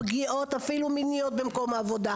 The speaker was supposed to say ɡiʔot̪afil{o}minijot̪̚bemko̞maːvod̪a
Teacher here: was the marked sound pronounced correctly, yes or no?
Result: no